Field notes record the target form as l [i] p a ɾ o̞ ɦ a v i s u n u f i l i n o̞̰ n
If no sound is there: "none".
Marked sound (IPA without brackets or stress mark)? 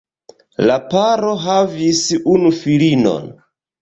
a